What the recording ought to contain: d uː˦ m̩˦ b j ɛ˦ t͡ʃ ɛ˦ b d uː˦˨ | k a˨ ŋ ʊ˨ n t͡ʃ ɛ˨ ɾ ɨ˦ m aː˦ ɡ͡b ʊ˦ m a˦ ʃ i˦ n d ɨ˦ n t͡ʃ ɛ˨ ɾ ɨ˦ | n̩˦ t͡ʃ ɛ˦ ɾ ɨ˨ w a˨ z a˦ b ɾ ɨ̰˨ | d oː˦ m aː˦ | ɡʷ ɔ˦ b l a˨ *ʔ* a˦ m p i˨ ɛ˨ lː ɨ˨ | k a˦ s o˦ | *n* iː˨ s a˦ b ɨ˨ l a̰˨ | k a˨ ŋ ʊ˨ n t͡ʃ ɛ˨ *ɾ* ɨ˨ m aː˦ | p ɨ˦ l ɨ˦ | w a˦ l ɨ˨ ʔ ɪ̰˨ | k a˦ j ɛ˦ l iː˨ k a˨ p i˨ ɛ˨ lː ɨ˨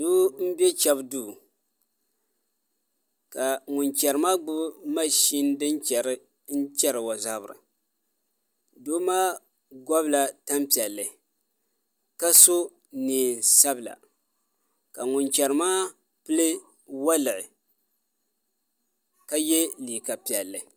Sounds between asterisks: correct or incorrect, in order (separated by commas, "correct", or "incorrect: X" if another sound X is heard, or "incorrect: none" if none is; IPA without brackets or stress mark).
incorrect: t, correct, correct